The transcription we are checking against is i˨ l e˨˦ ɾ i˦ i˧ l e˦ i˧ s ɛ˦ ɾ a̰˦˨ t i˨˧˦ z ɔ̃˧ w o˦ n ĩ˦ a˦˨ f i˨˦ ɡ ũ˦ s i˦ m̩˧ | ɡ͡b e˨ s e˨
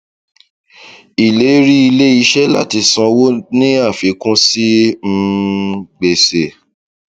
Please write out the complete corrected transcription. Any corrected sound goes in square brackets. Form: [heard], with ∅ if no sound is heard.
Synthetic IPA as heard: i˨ l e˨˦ ɾ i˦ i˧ l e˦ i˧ [ʃ] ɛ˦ [l] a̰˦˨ t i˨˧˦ [s] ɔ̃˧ w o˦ n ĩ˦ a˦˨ f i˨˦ [k] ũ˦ s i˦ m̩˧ | ɡ͡b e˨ s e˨